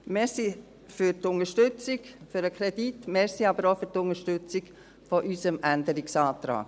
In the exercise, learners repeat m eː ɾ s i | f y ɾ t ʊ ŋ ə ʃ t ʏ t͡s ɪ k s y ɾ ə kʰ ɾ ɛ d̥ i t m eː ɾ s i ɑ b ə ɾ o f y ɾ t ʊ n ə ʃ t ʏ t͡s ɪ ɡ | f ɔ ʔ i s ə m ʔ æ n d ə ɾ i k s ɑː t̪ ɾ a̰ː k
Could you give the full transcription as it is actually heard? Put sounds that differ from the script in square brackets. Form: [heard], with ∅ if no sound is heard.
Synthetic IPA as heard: m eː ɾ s i | f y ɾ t ʊ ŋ ə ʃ t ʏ t͡s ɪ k [f] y ɾ ə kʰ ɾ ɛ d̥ i t m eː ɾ s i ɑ b ə ɾ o f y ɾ t ʊ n ə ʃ t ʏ t͡s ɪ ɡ | f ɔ ʔ [y] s ə m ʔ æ n d ə ɾ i k s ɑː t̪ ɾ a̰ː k